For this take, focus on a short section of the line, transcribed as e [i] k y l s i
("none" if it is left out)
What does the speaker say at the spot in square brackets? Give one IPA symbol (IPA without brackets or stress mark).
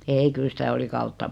i